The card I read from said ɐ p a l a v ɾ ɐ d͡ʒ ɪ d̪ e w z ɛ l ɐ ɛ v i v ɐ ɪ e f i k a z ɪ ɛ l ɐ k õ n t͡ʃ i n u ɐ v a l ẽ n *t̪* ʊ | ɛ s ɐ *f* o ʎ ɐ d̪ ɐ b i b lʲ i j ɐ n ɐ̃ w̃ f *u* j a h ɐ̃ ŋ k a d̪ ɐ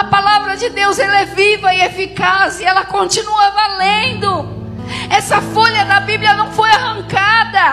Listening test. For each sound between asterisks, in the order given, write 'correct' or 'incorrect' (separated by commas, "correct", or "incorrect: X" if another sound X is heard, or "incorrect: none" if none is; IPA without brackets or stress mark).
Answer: incorrect: d̪, correct, incorrect: o